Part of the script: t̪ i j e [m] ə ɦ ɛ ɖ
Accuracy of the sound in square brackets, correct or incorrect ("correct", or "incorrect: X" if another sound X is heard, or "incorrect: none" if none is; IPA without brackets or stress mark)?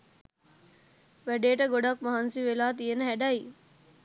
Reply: incorrect: n